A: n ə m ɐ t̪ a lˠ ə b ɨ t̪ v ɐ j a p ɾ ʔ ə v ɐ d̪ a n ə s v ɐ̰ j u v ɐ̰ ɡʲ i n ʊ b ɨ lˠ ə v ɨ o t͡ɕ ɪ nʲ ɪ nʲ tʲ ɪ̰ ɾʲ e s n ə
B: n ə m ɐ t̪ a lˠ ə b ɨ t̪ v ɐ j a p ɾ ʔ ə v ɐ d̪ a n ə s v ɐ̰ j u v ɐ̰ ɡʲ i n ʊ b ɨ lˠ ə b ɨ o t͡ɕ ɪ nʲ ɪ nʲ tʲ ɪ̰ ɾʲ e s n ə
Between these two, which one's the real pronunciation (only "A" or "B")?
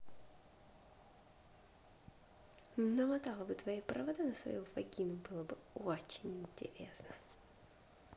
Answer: B